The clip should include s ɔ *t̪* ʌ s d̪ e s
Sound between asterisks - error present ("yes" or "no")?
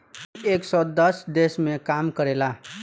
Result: yes